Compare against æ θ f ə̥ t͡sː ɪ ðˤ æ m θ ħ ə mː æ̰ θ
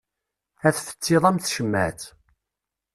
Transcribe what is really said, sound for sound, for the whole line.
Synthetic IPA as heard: æ θ f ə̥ t͡sː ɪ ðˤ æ m θ ʃ ə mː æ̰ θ